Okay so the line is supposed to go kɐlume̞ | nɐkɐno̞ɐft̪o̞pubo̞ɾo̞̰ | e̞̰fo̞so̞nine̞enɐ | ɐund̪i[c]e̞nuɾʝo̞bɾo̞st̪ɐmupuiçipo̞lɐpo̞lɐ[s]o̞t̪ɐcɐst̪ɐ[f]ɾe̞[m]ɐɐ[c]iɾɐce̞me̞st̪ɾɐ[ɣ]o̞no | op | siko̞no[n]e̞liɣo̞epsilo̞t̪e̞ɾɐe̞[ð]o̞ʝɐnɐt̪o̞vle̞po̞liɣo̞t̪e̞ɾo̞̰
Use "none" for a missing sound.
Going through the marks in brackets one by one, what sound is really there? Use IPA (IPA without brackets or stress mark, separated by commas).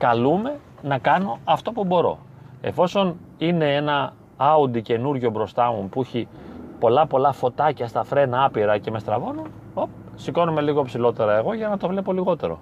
c, f, f, n, p, v, m, ɣ